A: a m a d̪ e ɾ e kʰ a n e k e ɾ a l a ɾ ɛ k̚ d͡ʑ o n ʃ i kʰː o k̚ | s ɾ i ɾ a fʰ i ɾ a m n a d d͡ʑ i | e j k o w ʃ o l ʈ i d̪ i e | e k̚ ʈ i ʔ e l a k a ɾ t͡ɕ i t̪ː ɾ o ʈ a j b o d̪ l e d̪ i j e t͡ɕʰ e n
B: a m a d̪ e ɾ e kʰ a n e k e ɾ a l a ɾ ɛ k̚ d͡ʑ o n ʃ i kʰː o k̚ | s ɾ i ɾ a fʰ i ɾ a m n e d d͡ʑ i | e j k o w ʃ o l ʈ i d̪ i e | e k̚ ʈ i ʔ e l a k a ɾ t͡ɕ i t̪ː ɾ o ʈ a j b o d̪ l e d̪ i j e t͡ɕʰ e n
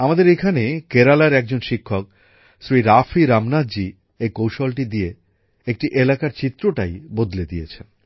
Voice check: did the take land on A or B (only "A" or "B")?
A